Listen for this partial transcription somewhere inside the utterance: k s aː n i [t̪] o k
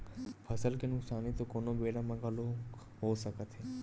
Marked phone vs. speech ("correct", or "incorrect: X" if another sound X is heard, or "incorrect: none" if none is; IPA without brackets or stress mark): correct